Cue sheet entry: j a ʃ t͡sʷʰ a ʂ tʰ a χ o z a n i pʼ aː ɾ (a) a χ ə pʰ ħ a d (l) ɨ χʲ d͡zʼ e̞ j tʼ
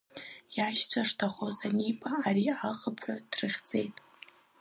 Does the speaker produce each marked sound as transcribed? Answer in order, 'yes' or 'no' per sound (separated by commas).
no, no